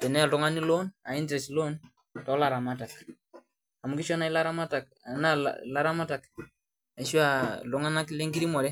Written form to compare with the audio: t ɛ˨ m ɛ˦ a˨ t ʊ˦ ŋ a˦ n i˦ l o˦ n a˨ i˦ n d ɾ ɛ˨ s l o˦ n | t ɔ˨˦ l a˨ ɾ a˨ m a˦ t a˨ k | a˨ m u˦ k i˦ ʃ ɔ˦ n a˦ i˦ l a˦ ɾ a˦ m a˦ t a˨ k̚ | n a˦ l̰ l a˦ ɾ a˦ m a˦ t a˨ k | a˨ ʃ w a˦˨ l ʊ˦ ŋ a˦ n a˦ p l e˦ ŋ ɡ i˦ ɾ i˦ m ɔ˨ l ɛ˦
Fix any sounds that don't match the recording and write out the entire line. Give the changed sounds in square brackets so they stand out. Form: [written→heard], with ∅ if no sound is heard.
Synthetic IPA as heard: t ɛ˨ [m→n] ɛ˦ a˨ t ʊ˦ ŋ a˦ n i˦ l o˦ n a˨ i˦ n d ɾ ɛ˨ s l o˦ n | t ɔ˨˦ l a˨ ɾ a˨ m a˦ t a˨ k | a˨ m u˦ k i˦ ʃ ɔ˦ n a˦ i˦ l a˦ ɾ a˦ m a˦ t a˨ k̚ | n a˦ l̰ l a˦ ɾ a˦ m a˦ t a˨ k | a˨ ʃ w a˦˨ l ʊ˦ ŋ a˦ n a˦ [p→k] l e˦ ŋ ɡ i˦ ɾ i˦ m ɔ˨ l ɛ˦